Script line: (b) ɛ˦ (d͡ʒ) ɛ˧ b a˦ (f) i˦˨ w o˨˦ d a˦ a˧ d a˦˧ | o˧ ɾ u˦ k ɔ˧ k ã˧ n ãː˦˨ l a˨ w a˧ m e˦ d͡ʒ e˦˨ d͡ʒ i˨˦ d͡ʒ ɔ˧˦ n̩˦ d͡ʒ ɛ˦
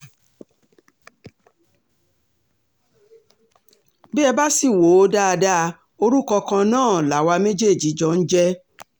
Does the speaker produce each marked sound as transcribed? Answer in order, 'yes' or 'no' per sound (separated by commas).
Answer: yes, no, no